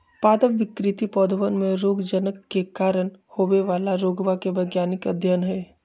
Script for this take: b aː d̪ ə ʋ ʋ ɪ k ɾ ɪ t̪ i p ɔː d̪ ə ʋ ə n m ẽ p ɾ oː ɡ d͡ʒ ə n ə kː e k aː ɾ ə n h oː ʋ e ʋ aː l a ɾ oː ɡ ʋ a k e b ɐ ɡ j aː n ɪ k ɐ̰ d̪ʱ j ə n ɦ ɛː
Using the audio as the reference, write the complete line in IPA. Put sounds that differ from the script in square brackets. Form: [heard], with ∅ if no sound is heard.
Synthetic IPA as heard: [p] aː d̪ ə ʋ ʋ ɪ k ɾ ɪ t̪ i p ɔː d̪ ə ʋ ə n m ẽ [∅] ɾ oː ɡ d͡ʒ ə n ə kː e k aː ɾ ə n h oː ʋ e ʋ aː l a ɾ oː ɡ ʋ a k e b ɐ ɡ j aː n ɪ k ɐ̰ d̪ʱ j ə n ɦ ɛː